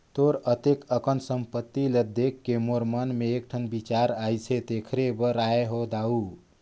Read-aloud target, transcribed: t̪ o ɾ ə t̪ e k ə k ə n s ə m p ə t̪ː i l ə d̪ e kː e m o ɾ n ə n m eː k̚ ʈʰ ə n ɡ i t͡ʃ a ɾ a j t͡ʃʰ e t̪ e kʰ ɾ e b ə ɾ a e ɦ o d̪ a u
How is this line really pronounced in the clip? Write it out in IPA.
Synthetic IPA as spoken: t̪ o ɾ ə t̪ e k ə k ə n s ə m p ə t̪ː i l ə d̪ e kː e m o ɾ m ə n m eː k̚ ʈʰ ə n b i t͡ʃ a ɾ a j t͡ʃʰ e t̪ e kʰ ɾ e b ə ɾ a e ɦ o d̪ a u